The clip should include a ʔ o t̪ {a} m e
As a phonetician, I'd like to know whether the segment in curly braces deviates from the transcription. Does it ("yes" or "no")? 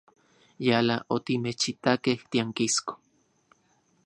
yes